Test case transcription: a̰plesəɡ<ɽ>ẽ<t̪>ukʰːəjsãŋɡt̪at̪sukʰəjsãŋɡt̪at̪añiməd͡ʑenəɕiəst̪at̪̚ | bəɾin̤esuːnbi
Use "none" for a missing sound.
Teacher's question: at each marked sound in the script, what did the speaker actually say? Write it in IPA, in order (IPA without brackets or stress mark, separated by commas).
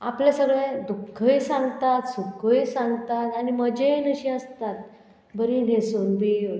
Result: ɭ, d̪